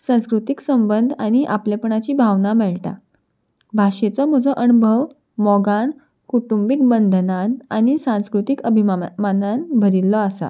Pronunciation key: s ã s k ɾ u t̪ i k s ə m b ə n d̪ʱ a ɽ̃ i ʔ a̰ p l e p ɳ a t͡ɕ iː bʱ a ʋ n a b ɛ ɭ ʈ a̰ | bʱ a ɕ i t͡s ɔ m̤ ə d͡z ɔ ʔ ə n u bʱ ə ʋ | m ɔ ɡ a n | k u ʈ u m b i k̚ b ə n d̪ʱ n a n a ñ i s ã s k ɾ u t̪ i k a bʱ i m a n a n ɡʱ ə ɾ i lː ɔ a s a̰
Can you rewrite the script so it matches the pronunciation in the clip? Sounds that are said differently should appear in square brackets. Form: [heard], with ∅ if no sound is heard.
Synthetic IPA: s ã s k ɾ u t̪ i k s ə m b ə n d̪ʱ a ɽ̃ i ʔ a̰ p l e p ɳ a t͡ɕ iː bʱ a ʋ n a [m] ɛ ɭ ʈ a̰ | bʱ a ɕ [e] t͡s ɔ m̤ ə d͡z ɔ ʔ ə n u bʱ ə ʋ | m ɔ ɡ a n | k u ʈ u m b i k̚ b ə n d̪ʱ n a n a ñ i s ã s k ɾ u t̪ i k [ə] bʱ i m a n a n [bʱ] ə ɾ i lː ɔ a s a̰